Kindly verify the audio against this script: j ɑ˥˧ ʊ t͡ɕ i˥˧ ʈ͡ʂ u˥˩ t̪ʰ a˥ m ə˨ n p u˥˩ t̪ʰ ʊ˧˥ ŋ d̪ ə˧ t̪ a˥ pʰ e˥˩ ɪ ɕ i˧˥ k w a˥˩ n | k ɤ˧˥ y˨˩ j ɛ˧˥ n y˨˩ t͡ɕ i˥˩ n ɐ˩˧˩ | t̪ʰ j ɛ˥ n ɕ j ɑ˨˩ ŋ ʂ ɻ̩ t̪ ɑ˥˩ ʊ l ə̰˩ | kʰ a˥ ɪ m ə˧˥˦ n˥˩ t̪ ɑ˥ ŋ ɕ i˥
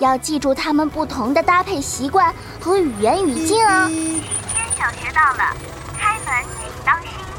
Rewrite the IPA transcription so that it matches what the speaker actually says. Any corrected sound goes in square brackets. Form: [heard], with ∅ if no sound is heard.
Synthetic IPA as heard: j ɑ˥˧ ʊ t͡ɕ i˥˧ ʈ͡ʂ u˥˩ t̪ʰ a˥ m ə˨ n p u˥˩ t̪ʰ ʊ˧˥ ŋ d̪ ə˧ t̪ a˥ pʰ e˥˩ ɪ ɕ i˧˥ k w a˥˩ n | [x] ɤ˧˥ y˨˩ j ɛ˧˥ n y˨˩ t͡ɕ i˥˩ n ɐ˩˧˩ | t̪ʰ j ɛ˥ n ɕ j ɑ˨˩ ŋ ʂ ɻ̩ t̪ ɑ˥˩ ʊ l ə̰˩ | kʰ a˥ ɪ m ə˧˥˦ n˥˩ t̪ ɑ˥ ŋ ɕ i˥